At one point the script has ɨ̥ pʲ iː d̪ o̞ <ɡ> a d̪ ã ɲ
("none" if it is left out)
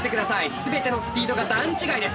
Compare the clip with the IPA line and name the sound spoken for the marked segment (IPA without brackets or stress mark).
ɡ